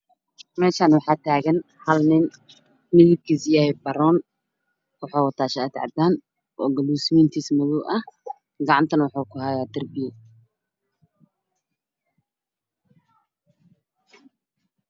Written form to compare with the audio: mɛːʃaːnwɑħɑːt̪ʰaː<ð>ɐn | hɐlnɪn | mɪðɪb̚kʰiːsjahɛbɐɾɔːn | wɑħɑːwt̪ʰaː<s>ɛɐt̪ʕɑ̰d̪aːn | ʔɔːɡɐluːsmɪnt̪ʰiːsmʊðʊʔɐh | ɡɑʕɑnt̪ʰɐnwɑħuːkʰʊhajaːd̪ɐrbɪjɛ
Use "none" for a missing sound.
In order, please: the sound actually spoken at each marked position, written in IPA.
ɣ, ʃ

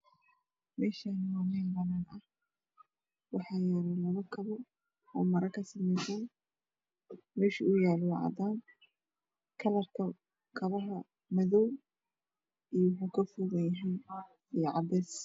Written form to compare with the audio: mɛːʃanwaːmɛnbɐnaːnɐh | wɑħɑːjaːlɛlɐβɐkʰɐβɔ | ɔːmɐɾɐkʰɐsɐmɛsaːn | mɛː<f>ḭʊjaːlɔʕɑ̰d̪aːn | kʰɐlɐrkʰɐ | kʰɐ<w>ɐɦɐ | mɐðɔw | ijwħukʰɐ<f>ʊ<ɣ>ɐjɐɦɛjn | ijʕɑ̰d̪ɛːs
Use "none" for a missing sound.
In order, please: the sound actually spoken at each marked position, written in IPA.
ʃ, β, f, ɣ

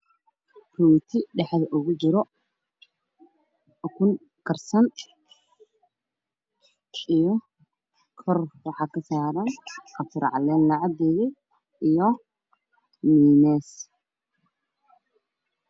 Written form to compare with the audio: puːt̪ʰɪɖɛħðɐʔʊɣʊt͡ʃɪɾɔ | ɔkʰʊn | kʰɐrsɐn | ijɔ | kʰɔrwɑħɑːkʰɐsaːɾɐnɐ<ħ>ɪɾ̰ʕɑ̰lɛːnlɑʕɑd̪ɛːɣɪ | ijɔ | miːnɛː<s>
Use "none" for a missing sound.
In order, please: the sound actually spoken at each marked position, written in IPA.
f, s

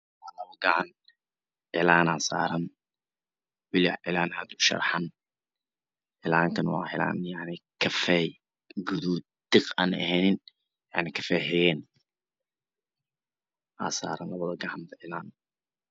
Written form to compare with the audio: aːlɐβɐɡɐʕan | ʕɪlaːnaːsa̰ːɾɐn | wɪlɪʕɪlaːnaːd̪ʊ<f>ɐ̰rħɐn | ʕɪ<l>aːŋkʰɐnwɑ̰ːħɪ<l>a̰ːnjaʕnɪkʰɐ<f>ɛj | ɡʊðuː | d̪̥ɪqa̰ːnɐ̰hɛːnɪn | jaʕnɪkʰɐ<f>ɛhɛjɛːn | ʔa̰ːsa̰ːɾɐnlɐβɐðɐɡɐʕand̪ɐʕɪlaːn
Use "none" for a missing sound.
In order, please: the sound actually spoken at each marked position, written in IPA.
ʃ, l, l, f, f

